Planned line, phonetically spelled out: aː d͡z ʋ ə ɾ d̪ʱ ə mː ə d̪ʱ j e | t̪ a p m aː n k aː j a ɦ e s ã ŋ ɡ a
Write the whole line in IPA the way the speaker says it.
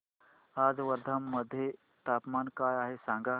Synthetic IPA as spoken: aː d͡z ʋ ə ɾ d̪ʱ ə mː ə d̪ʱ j e | t̪ a p m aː n k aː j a ɦ e s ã ŋ ɡ a